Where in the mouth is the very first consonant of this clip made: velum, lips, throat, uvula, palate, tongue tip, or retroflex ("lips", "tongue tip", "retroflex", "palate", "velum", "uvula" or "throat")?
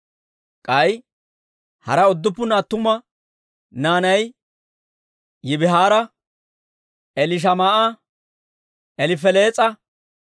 velum